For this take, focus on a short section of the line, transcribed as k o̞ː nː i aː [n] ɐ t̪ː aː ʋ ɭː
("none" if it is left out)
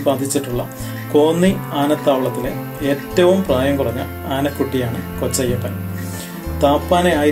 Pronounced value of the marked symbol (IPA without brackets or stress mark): n